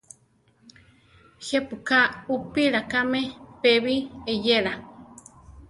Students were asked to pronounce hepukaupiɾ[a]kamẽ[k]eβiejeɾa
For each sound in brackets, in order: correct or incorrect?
correct, incorrect: p

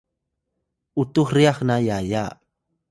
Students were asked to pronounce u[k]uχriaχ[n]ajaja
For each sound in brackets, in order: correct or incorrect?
incorrect: t, correct

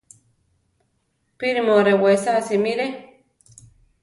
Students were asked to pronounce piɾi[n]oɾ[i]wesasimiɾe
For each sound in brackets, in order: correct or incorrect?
incorrect: m, incorrect: e

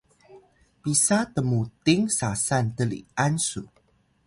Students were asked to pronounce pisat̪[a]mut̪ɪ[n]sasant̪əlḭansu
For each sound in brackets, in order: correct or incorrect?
incorrect: ə, incorrect: ŋ

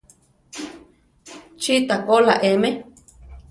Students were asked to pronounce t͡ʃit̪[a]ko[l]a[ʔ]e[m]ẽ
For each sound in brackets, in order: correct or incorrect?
correct, correct, correct, correct

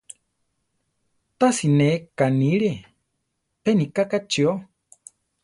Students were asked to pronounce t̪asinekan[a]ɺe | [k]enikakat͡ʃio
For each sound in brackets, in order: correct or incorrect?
incorrect: i, incorrect: p

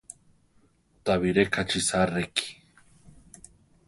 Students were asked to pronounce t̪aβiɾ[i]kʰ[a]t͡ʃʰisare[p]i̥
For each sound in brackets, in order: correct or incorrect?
incorrect: e, correct, incorrect: k

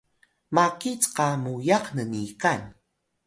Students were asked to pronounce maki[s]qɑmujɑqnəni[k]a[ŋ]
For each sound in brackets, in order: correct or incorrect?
incorrect: t͡s, correct, incorrect: n

